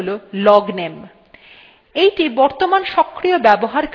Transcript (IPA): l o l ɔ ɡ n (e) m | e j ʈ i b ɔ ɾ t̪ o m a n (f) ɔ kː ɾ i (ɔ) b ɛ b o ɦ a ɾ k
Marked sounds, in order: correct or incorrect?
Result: correct, incorrect: ʃ, incorrect: o

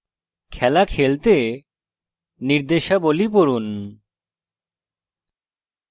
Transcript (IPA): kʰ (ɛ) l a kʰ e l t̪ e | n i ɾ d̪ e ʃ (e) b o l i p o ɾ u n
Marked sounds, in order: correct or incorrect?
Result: correct, incorrect: a

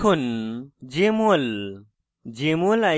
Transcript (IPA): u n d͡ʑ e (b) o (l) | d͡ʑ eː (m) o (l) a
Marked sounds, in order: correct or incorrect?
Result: incorrect: m, correct, correct, correct

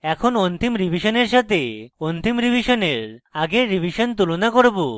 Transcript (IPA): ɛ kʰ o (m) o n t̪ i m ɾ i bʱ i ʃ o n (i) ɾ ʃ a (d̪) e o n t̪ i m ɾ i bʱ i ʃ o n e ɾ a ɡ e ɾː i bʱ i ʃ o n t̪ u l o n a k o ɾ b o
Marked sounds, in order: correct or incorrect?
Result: incorrect: n, incorrect: e, incorrect: t̪

